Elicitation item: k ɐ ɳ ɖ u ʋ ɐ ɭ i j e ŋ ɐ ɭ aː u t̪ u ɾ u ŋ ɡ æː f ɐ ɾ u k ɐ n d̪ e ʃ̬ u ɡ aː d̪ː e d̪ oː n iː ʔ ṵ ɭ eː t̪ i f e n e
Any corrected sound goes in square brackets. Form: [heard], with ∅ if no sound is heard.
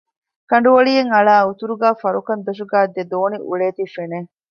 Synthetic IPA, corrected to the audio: k ɐ ɳ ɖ u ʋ ɐ ɭ i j e ŋ ɐ ɭ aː u t̪ u ɾ u [∅] ɡ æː f ɐ ɾ u k ɐ n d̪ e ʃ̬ u ɡ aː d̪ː e d̪ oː n [i] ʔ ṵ ɭ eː t̪ i f e n e